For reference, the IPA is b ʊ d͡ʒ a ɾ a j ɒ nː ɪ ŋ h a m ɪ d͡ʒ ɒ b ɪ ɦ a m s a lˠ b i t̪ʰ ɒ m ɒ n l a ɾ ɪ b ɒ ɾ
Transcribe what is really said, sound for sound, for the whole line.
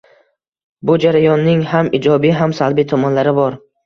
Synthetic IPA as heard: b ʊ d͡ʒ a ɾ a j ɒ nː ɪ ŋ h a m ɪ d͡ʒ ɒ b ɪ ɦ a m s a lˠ b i t̪ʰ ɒ m ɒ n l a ɾ ɪ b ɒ ɾ